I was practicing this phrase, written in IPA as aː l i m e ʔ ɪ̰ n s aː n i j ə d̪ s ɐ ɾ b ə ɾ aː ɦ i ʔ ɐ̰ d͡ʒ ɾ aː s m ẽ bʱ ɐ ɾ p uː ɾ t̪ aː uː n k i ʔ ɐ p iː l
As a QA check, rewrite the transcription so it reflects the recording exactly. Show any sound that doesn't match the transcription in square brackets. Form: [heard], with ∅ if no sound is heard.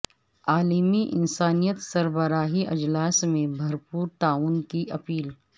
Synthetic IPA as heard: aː l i m [i] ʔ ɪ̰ n s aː n i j ə [t̪] s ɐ ɾ b ə ɾ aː ɦ i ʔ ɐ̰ d͡ʒ [l] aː s m ẽ bʱ ɐ ɾ p uː ɾ t̪ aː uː n k i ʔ ɐ p iː l